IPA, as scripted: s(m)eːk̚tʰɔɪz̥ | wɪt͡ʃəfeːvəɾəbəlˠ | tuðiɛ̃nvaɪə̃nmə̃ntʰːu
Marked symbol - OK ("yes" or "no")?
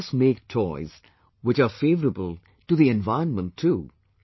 yes